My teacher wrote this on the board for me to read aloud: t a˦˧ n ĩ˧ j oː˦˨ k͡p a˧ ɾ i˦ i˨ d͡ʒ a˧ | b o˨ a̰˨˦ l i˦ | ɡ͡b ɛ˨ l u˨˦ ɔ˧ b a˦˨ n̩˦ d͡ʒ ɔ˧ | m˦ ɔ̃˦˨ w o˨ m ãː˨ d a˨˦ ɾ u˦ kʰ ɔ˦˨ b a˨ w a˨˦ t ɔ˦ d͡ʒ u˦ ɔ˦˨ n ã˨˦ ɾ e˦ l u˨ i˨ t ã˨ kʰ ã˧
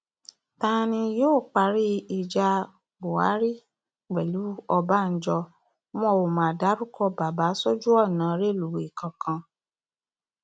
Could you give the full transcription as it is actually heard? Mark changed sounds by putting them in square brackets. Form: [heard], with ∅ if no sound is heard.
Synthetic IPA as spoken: t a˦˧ n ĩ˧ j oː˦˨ k͡p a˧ ɾ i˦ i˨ d͡ʒ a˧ | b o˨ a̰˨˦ [ɾ] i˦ | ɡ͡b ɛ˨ l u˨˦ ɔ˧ b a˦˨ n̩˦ d͡ʒ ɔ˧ | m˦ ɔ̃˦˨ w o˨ m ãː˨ d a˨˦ ɾ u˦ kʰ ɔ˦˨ b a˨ [b] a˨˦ [s] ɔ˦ d͡ʒ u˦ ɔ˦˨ n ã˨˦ ɾ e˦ l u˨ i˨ [k] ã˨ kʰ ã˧